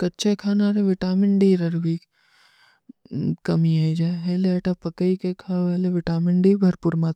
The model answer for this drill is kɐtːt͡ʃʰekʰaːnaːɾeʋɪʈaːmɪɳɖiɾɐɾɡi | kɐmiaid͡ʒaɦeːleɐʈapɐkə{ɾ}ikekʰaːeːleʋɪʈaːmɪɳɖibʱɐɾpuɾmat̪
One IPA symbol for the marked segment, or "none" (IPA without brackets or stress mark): none